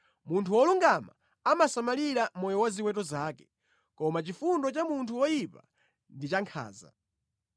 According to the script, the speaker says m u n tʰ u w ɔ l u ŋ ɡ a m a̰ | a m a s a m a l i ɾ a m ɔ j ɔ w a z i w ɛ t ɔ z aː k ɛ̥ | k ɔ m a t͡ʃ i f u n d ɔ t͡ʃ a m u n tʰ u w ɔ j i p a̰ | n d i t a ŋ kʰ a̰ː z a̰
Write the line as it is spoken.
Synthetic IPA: m u n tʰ u w ɔ l u ŋ ɡ a m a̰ | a m a s a m a l i ɾ a m ɔ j ɔ w a z i w ɛ t ɔ z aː k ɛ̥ | k ɔ m a t͡ʃ i f u n d ɔ t͡ʃ a m u n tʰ u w ɔ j i p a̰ | n d i t͡ʃ a ŋ kʰ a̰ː z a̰

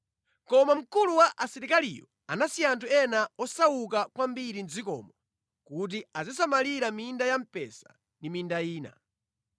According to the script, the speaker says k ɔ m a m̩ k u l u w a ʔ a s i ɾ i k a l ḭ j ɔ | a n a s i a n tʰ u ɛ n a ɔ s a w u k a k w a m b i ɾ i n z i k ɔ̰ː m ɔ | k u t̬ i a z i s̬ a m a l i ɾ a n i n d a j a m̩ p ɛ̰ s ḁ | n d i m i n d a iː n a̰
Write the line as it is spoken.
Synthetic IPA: k ɔ m a m̩ k u l u w a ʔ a s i ɾ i k a l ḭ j ɔ | a n a s i a n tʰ u ɛ n a ɔ s a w u k a k w a m b i ɾ i n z i k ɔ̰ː m ɔ | k u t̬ i a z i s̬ a m a l i ɾ a m i n d a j a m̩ p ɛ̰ s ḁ | n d i m i n d a iː n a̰

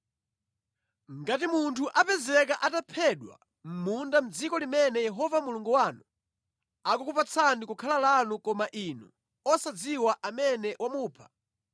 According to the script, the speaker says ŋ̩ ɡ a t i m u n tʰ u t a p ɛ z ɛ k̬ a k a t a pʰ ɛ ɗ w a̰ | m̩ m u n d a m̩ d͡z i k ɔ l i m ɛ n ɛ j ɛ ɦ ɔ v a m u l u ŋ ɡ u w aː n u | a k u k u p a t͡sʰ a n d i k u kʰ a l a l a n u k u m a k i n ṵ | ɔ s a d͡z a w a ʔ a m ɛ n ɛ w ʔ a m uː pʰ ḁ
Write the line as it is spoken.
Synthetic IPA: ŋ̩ ɡ a t i m u n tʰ u ʔ a p ɛ z ɛ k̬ a ʔ a t a pʰ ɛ ɗ w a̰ | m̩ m u n d a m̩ d͡z i k ɔ l i m ɛ n ɛ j ɛ ɦ ɔ v a m u l u ŋ ɡ u w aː n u | a k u k u p a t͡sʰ a n d i k u kʰ a l a l a n u k ɔ m a ʔ i n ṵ | ɔ s a d͡z i w a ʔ a m ɛ n ɛ w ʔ a m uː pʰ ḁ

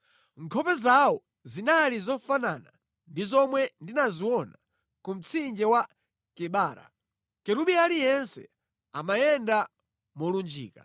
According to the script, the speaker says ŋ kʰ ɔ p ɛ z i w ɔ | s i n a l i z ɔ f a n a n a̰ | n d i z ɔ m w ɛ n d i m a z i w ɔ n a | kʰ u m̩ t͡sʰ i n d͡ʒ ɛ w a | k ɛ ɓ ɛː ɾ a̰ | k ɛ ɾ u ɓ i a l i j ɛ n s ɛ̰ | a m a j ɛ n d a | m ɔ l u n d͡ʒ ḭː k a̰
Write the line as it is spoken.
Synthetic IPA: ŋ kʰ ɔ p ɛ z a w ɔ | z i n a l i z ɔ f a n a n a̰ | n d i z ɔ m w ɛ n d i n a z i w ɔ n a | k u m̩ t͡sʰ i n d͡ʒ ɛ w a | k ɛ ɓ aː ɾ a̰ | k ɛ ɾ u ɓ i a l i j ɛ n s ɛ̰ | a m a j ɛ n d a | m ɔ l u n d͡ʒ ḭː k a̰

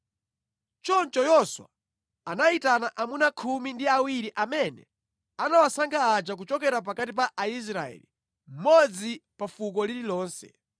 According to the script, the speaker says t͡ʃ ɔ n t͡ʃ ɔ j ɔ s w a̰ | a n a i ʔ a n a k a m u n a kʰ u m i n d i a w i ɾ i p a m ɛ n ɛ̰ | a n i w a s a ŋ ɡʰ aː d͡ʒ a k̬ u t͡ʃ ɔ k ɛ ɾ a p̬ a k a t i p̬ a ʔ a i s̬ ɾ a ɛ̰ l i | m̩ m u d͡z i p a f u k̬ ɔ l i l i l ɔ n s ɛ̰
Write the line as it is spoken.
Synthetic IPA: t͡ʃ ɔ n t͡ʃ ɔ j ɔ s w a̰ | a n a i t a n a ʔ a m u n a kʰ u m i n d i a w i ɾ i ʔ a m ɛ n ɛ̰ | a n a w a s a ŋ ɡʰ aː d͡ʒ a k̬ u t͡ʃ ɔ k ɛ ɾ a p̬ a k a t i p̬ a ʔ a i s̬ ɾ a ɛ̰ l i | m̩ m ɔ d͡z i p a f u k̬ ɔ l i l i l ɔː n s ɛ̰

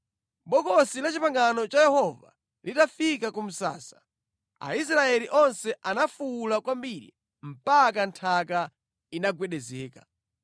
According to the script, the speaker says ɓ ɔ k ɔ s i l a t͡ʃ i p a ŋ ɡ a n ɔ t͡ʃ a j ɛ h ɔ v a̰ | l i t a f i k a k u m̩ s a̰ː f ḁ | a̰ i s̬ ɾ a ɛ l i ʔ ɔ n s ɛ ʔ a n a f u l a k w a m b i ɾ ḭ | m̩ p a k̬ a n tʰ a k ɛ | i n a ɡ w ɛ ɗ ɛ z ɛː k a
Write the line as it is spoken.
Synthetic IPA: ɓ ɔ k ɔ s i l a t͡ʃ i p a ŋ ɡ a n ɔ t͡ʃ a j ɛ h ɔ v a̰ | l i t a f i k a k u m̩ s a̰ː s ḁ | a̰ i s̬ ɾ a ɛ l i ʔ ɔ n s ɛ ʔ a n a f u l a k w a m b i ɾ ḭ | m̩ p a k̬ a n tʰ a k a | i n a ɡ w ɛ ɗ ɛ z ɛː k a

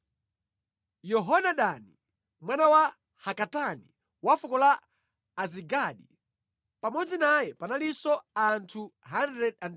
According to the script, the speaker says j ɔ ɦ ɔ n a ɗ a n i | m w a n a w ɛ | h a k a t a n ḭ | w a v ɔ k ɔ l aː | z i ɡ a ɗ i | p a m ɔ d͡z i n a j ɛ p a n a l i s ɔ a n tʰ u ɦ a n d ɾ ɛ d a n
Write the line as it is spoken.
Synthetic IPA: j ɔ ɦ ɔ n a ɗ a n i | m w a n a w a | h a k a t a n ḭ | w a f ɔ k ɔ l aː | z i ɡ a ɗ i | p a m ɔ d͡z i n a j ɛ p a n a l i s ɔ a n tʰ u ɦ a n d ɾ ɛ d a n

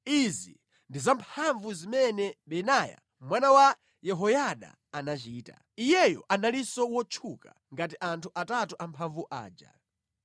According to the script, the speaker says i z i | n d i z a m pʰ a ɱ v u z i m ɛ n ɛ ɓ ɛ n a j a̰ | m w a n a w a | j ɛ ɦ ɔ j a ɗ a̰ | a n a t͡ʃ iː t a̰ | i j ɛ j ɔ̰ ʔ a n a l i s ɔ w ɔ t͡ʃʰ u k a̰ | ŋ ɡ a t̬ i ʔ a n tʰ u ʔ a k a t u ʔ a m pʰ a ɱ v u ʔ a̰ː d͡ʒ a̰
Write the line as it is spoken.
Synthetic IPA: i z i | n d i z a m pʰ a ɱ v u z i m ɛ n ɛ ɓ ɛ n a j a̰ | m w a n a w a | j ɛ ɦ ɔ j a ɗ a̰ | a n a t͡ʃ iː t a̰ | i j ɛ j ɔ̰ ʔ a n a l i s ɔ w ɔ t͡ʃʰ u k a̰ | ŋ ɡ a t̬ i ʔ a n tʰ u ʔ a t a t u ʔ a m pʰ a ɱ v u ʔ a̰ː d͡ʒ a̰

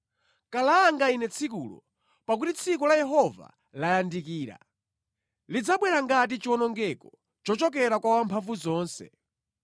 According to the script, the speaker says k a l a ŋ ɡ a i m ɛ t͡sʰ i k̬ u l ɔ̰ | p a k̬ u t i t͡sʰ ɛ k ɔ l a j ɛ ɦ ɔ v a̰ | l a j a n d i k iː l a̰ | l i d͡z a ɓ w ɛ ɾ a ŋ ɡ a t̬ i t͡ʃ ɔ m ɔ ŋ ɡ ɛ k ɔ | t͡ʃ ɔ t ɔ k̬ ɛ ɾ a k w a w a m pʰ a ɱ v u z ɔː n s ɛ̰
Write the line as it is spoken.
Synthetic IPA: k a l a ŋ ɡ a i n ɛ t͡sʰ i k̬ u l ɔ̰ | p a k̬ u t i t͡sʰ i k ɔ l a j ɛ ɦ ɔ v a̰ | l a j a n d i k iː ɾ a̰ | l i d͡z a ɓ w ɛ ɾ a ŋ ɡ a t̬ i t͡ʃ ɔ n ɔ ŋ ɡ ɛ k ɔ | t͡ʃ ɔ t͡ʃ ɔ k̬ ɛ ɾ a k w a w a m pʰ a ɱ v u z ɔː n s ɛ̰

